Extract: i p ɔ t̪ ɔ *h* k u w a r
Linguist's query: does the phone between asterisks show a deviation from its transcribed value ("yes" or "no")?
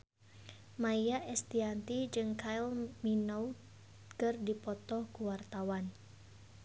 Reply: no